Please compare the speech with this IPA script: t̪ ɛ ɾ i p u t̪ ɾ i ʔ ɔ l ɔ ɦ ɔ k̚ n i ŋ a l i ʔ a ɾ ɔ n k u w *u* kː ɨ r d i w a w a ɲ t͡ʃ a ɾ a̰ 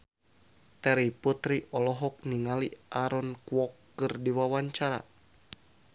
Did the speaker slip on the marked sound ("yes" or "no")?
yes